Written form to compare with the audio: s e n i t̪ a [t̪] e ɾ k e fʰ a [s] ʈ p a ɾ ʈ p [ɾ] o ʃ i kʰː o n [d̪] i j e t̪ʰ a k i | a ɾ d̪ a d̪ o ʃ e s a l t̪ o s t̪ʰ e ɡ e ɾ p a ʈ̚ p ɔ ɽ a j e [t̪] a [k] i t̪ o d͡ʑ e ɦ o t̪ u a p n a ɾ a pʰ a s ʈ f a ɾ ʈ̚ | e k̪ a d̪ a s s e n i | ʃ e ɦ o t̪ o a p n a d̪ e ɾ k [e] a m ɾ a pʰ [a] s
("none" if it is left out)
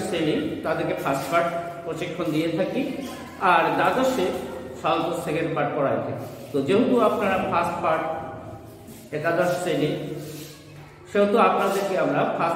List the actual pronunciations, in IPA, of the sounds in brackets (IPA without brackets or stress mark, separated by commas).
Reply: d̪, s, ɾ, d̪, t̪ʰ, k, e, a